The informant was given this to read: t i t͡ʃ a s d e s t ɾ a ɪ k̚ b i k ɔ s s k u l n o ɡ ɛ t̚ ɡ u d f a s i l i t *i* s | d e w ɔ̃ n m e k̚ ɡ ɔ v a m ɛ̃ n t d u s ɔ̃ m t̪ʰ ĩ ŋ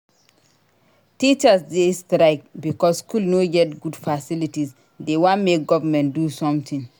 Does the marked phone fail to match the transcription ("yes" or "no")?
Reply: no